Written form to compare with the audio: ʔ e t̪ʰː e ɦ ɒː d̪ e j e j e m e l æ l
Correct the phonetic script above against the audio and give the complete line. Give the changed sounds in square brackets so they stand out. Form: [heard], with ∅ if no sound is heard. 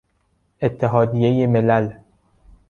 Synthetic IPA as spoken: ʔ e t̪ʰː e ɦ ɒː d̪ [i] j e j e m e l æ l